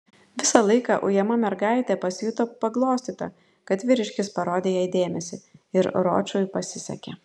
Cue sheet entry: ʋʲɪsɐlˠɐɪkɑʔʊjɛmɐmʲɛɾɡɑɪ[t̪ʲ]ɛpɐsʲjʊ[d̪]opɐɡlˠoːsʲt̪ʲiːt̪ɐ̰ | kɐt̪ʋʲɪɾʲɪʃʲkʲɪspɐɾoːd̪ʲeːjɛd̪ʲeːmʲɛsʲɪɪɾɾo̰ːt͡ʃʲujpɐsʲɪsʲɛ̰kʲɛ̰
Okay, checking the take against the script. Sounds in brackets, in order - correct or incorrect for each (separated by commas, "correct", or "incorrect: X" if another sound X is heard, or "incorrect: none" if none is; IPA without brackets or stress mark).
correct, incorrect: t̪